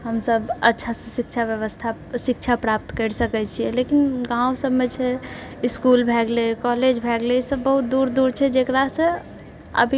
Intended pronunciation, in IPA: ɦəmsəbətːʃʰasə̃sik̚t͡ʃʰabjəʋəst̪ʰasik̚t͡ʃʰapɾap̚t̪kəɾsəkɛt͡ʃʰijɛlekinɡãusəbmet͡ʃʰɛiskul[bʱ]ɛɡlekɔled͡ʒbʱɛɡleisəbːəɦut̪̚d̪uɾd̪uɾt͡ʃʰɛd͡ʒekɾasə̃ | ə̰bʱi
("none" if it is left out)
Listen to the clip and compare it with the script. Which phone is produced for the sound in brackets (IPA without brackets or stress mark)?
bʱ